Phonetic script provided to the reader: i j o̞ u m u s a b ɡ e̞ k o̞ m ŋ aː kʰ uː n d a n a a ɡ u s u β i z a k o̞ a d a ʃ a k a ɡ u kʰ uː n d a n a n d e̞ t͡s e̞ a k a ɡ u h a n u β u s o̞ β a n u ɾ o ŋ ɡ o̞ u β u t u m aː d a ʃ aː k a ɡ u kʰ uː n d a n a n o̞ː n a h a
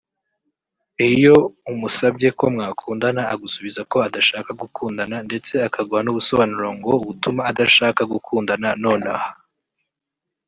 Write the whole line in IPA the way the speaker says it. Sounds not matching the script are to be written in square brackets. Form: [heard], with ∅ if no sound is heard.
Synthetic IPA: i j o̞ u m u s a b [ɟ] e̞ k o̞ m ŋ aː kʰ uː n d a n a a ɡ u s u β i z a k o̞ a d a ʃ a k a ɡ u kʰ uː n d a n a n d e̞ t͡s e̞ a k a ɡ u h a n u β u s o̞ β a n u ɾ o ŋ ɡ o̞ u β u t u m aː d a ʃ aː k a ɡ u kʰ uː n d a n a n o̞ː n a h a